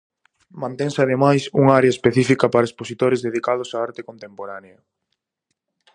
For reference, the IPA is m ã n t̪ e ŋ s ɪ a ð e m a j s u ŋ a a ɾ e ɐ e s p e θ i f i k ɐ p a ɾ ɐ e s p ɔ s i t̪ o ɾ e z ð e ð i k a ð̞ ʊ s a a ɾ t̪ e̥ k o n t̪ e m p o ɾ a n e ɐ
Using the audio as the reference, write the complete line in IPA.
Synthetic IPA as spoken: m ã n t̪ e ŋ s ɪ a ð e m a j s u ŋ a a ɾ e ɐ e s p e θ i f i k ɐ p a ɾ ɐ e s p o s i t̪ o ɾ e z ð e ð i k a ð̞ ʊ s a a ɾ t̪ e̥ k o n t̪ e m p o ɾ a n e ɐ